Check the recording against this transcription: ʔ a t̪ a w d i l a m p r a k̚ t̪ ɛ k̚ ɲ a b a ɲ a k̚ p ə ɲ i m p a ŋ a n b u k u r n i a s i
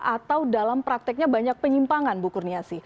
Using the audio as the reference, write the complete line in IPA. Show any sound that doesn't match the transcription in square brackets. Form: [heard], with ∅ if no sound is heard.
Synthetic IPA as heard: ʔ a t̪ a w d [a] l a m p [ɾ] a k̚ t̪ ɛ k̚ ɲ a b a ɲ a k̚ p ə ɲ i m p a ŋ a n b u k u r n i a s i